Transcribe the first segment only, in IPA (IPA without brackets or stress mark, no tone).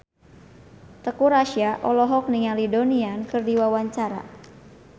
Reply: t̪